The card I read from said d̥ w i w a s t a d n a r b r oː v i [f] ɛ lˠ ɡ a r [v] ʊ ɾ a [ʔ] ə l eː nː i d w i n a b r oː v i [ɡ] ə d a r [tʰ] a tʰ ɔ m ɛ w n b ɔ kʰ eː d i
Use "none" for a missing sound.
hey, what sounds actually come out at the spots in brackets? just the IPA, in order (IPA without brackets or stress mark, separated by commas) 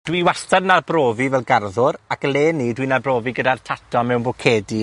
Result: v, ð, k, ɡ, tʰ